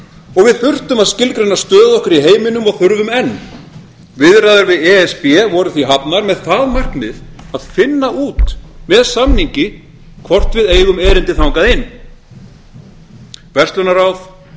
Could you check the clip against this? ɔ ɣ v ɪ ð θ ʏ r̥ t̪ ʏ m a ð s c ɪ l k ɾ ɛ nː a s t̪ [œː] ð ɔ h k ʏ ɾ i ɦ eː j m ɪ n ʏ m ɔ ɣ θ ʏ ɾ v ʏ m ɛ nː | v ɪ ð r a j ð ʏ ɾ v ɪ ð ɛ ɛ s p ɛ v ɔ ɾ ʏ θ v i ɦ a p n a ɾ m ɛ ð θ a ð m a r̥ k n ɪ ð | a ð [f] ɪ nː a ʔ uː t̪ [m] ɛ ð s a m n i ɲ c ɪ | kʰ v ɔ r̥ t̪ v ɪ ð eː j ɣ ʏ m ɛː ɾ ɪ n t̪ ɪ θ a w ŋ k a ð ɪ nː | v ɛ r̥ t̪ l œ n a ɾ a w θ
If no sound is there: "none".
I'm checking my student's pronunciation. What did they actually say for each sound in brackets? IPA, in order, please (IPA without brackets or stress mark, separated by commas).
œː, f, m